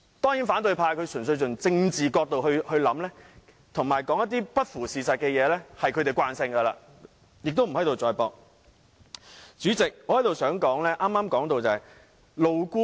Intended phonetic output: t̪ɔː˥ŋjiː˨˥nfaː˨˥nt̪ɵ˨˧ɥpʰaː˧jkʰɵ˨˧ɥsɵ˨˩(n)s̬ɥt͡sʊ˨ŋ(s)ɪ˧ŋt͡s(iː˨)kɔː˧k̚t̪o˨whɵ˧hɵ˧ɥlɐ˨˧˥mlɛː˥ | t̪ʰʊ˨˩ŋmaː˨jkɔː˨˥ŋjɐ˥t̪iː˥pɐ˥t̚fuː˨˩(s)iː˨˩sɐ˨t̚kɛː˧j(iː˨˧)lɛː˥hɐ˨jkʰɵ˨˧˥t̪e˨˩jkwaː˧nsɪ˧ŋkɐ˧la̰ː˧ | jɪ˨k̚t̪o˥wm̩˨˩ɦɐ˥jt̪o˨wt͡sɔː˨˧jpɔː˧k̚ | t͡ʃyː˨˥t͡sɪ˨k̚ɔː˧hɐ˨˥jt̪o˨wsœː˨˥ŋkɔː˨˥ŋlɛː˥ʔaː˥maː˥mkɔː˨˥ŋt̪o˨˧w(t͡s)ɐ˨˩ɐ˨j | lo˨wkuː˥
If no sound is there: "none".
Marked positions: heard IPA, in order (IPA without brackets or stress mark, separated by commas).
n, t͡s, iː˨, s, ɛː˨˧, t͡s